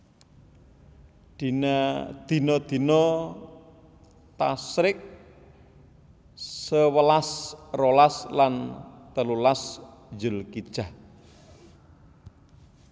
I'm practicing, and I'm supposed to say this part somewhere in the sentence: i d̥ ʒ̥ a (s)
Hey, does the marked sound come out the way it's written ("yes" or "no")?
no